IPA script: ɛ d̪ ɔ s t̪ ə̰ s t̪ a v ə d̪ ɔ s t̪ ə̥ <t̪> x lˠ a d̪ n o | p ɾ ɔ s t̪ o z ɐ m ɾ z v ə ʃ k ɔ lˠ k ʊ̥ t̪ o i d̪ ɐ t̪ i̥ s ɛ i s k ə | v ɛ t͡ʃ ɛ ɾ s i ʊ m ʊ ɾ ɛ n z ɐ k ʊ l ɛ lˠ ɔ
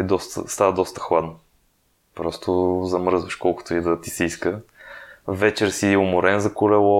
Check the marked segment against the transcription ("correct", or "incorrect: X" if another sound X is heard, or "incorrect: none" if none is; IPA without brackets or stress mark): incorrect: none